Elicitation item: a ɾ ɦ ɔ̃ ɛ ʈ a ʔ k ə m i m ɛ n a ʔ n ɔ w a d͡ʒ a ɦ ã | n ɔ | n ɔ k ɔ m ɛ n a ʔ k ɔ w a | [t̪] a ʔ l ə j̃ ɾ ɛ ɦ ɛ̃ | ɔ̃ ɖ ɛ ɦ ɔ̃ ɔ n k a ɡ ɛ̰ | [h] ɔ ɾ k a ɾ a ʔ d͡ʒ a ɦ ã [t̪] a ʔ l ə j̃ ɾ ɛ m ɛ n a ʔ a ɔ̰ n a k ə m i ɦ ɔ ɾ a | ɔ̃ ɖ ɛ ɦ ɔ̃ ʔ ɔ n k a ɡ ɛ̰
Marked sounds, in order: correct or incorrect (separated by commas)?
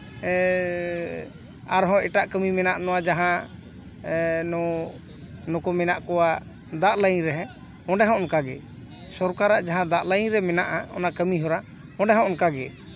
incorrect, incorrect, incorrect